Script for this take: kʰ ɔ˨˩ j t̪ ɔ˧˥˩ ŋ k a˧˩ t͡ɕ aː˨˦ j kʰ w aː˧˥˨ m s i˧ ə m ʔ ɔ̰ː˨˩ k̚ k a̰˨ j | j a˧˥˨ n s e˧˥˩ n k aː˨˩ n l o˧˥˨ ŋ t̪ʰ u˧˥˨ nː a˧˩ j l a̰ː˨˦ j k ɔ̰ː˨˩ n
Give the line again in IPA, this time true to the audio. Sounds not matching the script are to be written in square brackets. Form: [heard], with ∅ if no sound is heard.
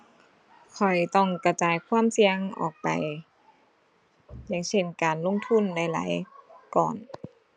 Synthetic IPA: kʰ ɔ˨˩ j t̪ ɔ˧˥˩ ŋ k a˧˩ t͡ɕ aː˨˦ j kʰ w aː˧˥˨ m s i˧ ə [ŋ] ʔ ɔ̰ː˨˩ k̚ [p] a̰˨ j | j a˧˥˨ [ŋ] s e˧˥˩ n k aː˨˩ n l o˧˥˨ ŋ t̪ʰ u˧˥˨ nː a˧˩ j l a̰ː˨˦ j k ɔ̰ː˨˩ n